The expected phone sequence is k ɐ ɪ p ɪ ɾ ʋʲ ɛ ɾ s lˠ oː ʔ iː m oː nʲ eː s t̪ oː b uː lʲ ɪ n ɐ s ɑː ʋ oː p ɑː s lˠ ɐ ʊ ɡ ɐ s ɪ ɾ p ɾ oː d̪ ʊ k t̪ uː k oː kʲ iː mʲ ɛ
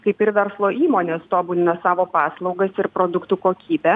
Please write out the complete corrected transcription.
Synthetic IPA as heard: k ɐ ɪ p ɪ ɾ ʋʲ ɛ ɾ s lˠ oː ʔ iː m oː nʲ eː s t̪ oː b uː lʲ ɪ n ɐ s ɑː ʋ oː p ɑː s lˠ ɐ ʊ ɡ ɐ s ɪ ɾ p ɾ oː d̪ ʊ k t̪ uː k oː kʲ iː bʲ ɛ